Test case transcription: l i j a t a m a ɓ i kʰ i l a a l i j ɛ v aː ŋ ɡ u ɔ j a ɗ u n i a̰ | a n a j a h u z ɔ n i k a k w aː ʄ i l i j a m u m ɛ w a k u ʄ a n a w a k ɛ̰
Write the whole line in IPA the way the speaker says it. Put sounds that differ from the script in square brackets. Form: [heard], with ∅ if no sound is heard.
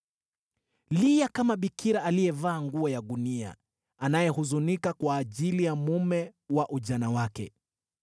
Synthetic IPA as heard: l i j a [k] a m a ɓ i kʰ i [ɾ] a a l i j ɛ v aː ŋ ɡ u ɔ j a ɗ u n i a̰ | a n a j [ɛ] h u z [u] n i k a k w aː ʄ i l i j a m u m ɛ w a [ʔ] u ʄ a n a w a k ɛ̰